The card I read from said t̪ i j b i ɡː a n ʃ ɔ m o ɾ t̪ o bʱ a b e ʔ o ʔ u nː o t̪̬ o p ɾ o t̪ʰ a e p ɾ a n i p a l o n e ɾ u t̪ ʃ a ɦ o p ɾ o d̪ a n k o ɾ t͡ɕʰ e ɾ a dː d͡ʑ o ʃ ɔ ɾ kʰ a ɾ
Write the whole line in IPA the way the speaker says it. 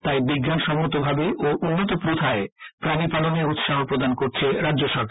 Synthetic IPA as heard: t̪ a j b i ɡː a n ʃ ɔ m o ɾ t̪ o bʱ a b e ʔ o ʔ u nː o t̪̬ o p ɾ o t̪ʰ a e p ɾ a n i p a l o n e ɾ u t̪ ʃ a ɦ o p ɾ o d̪ a n k o ɾ t͡ɕʰ e ɾ a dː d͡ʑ o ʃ ɔ ɾ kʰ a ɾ